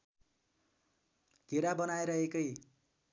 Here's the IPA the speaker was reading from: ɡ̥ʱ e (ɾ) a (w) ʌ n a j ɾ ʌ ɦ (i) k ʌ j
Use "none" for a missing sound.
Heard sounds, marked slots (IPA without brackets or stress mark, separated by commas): ɾ, b, e